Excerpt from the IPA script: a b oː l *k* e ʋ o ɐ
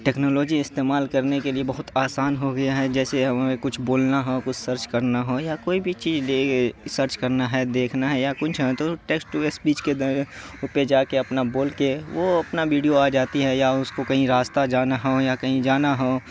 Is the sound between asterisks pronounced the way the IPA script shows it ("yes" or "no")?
yes